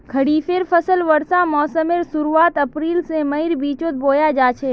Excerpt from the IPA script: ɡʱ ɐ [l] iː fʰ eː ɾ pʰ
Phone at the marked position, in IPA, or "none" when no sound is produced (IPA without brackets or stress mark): ɽ